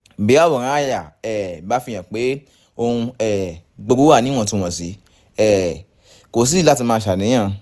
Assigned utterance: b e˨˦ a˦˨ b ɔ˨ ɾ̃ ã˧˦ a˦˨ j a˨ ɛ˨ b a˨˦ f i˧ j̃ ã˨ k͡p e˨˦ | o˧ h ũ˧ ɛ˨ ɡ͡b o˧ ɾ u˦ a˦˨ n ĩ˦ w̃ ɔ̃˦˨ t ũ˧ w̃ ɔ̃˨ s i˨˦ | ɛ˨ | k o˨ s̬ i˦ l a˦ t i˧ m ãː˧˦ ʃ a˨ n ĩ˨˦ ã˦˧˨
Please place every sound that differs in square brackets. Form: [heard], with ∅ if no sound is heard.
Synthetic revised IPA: b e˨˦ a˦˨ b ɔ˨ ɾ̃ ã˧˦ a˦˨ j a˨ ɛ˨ b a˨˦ f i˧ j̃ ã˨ k͡p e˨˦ | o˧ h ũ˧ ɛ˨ ɡ͡b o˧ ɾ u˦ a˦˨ n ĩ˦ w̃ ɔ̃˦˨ t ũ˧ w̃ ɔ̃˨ s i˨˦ | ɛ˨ | k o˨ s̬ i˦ l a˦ t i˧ m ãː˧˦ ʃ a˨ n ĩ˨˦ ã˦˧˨